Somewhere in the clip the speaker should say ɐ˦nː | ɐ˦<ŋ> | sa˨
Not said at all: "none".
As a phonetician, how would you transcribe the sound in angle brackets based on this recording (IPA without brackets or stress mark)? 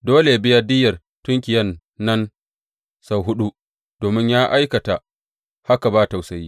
n